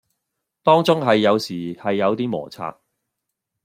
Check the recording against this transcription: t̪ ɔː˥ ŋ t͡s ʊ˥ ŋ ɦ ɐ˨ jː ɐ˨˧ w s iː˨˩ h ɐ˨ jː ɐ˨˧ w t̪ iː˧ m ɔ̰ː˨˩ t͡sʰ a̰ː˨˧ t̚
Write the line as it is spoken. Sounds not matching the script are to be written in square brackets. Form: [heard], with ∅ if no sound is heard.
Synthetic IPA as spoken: t̪ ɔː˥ ŋ t͡s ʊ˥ ŋ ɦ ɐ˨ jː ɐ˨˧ w s iː˨˩ h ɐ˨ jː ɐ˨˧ w t̪ [iː˥] m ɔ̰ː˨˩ t͡sʰ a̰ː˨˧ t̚